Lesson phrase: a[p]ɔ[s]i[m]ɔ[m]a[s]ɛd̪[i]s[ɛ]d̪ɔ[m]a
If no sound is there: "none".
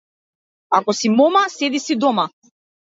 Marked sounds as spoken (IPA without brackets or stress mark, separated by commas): k, s, m, m, s, i, i, m